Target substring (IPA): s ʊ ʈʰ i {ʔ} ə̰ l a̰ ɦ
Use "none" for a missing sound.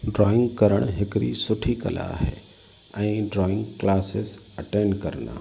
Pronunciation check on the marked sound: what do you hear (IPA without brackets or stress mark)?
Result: k